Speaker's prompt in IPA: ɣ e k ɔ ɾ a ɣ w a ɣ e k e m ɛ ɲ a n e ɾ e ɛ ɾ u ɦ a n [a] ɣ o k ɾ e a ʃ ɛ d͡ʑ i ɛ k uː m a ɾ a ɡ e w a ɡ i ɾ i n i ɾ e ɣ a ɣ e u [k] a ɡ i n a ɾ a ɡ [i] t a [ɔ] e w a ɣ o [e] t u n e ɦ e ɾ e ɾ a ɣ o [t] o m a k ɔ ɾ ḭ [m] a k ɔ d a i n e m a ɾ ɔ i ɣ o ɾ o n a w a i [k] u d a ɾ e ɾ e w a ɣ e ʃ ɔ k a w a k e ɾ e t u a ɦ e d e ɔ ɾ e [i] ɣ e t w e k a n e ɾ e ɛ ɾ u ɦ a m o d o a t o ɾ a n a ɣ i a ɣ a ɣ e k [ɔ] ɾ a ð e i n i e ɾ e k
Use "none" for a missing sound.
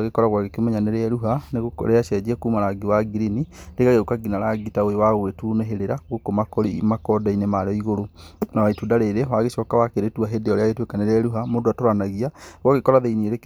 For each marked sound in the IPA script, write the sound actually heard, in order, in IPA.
e, k, i, o, e, k, m, t, a, ɔ

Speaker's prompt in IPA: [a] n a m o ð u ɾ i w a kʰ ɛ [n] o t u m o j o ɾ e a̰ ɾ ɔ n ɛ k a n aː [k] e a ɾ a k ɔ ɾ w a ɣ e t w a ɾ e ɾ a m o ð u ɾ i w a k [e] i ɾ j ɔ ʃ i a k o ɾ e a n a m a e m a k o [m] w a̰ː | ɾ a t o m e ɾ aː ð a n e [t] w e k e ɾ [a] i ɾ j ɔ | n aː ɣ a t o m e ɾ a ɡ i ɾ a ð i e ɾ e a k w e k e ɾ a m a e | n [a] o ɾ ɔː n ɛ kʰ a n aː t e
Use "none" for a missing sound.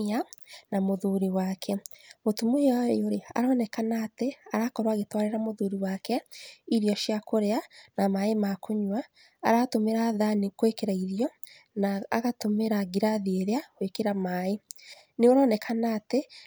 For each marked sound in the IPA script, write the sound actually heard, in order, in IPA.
a, m, t, ɛ, ɲ, k, a, e

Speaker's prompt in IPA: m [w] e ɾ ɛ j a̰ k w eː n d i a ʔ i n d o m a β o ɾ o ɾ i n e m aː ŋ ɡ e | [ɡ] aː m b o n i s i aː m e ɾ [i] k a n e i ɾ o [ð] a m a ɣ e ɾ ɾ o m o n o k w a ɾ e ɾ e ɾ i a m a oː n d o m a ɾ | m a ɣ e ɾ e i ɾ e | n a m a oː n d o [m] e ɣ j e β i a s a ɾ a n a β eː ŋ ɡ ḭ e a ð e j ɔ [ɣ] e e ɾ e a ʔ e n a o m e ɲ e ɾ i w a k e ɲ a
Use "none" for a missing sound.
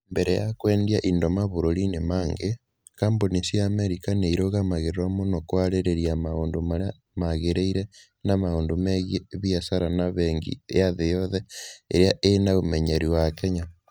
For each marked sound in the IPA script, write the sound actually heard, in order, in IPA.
b, k, i, ɣ, m, ð

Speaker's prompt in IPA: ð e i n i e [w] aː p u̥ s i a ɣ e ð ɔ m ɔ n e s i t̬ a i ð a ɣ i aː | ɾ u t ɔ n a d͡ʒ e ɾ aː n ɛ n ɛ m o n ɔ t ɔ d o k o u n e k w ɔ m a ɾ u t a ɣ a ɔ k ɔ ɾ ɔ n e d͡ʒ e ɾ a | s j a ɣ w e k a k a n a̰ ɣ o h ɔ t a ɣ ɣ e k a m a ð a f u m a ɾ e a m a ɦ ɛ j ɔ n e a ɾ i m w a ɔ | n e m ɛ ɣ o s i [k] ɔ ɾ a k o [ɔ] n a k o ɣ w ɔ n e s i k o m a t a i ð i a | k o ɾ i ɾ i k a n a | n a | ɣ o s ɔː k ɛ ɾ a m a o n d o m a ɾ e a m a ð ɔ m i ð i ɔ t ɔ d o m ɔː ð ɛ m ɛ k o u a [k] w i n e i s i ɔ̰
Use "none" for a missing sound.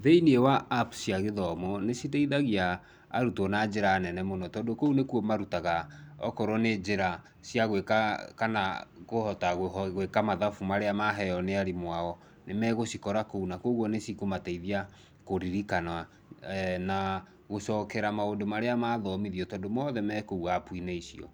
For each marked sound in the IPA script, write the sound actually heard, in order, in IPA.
w, k, u, p

